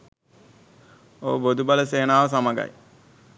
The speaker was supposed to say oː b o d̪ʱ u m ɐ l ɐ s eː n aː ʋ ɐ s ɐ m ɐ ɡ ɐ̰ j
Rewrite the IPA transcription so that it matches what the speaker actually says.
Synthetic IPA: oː b o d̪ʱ u b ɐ l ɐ s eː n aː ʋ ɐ s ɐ m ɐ ɡ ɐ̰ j